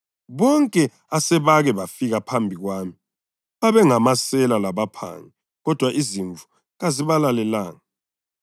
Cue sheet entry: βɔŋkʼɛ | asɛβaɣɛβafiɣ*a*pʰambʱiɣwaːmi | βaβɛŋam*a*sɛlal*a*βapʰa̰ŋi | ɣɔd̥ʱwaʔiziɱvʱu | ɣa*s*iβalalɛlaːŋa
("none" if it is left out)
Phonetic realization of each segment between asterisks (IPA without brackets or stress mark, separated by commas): a, a, a, z